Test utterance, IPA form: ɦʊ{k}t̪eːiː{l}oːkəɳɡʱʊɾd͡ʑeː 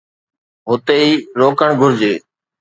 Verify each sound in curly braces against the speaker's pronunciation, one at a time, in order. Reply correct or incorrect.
incorrect: none, incorrect: ɾ

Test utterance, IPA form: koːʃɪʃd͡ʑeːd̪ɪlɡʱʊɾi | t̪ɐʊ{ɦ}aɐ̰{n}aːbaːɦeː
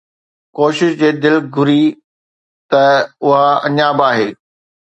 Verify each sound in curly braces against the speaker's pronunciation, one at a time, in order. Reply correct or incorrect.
correct, incorrect: ɲ

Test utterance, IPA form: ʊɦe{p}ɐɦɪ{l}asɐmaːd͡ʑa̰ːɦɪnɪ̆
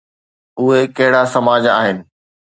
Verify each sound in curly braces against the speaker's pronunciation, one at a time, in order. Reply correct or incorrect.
incorrect: k, incorrect: ɽ

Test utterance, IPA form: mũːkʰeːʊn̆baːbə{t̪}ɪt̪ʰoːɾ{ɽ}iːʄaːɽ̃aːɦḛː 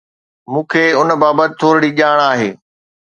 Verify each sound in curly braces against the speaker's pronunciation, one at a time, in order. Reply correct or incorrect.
correct, correct

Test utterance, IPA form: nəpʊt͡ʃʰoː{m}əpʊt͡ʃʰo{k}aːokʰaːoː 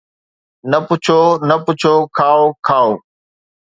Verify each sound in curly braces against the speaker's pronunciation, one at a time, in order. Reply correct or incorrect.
incorrect: n, incorrect: kʰ

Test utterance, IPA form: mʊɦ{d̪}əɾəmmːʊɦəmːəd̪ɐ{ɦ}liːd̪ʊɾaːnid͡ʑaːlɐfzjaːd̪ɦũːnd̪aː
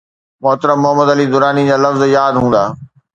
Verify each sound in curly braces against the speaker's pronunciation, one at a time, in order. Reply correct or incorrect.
incorrect: t̪, incorrect: none

